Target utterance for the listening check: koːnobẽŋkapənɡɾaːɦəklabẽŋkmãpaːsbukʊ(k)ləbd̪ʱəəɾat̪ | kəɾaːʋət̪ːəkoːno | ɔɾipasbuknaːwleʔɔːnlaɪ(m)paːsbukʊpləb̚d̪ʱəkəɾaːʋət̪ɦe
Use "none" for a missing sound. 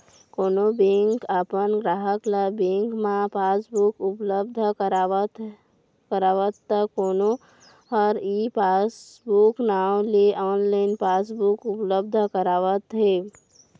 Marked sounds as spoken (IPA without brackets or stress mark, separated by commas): p, n